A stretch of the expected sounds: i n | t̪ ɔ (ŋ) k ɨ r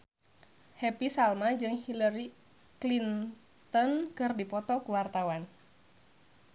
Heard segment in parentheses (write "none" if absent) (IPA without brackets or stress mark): n